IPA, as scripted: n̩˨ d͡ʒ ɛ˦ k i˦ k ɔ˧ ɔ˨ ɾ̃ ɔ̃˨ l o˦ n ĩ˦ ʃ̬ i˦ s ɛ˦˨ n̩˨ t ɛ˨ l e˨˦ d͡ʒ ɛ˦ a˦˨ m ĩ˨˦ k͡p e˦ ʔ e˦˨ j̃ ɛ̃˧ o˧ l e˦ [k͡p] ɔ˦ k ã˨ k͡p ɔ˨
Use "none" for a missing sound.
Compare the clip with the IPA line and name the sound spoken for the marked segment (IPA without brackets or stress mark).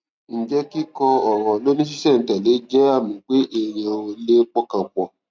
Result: k͡p